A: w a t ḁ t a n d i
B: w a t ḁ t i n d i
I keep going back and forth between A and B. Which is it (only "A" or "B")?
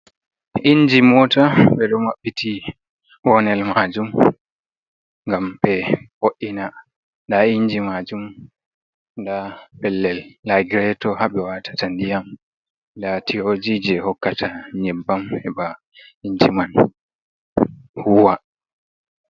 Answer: A